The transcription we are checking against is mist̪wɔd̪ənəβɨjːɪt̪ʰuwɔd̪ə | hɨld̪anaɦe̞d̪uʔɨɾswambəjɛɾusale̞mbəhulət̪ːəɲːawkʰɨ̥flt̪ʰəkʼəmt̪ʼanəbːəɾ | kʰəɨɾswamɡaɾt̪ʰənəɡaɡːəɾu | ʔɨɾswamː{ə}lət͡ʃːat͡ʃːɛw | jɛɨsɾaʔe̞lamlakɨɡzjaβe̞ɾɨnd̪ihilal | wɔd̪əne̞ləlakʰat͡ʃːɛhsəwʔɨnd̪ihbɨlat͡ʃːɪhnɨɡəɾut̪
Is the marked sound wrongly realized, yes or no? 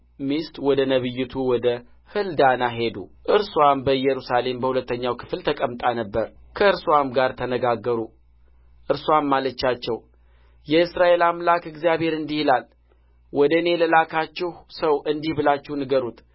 yes